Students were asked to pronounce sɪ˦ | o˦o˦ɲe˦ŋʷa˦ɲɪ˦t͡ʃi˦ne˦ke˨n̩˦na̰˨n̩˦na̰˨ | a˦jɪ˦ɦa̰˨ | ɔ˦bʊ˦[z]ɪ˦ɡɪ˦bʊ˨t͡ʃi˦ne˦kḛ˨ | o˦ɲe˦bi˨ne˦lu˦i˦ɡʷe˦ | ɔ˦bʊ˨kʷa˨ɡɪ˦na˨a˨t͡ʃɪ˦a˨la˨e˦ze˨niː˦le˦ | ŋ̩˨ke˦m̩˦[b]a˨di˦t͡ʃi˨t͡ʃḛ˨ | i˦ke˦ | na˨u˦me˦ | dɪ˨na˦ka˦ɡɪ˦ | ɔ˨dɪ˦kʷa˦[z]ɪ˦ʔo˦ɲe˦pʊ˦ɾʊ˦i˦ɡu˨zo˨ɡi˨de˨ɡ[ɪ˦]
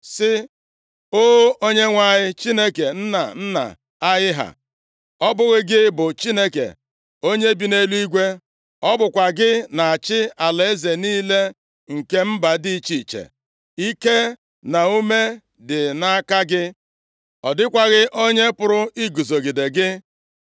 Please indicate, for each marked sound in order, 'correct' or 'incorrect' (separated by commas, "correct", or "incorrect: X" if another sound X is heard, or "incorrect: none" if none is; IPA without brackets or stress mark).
incorrect: ɣ, correct, incorrect: ɣ, correct